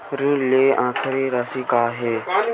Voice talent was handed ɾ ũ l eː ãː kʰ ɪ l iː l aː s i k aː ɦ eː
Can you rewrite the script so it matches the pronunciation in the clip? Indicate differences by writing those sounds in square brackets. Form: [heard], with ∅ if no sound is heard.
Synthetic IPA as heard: ɾ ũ l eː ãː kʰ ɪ [ɾ] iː [ɾ] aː s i k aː ɦ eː